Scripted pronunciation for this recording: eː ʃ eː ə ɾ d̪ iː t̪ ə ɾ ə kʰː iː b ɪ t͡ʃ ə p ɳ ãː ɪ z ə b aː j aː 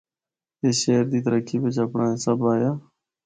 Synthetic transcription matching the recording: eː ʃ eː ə ɾ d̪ iː t̪ ə ɾ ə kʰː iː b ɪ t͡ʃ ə p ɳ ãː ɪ s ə b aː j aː